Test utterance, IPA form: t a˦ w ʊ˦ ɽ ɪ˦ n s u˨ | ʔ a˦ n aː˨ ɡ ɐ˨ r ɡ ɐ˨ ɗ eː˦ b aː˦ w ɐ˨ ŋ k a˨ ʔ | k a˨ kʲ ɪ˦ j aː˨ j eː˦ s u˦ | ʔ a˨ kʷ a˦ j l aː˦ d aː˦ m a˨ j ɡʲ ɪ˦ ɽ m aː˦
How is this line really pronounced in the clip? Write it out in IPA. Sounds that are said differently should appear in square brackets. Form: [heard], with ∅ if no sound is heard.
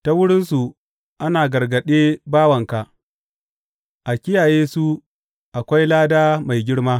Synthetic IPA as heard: t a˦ w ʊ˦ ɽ ɪ˦ n s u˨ | ʔ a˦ n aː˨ ɡ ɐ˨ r ɡ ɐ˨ ɗ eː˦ b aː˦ w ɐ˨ ŋ k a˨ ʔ | [ʔ] a˨ kʲ ɪ˦ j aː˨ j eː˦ s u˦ | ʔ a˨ kʷ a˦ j l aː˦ d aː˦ m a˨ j ɡʲ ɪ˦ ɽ m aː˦